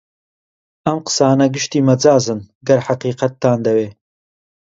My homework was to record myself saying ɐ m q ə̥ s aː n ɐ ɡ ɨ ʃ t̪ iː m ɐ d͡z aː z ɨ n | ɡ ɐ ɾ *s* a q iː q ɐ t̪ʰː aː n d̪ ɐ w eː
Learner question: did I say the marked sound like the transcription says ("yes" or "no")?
no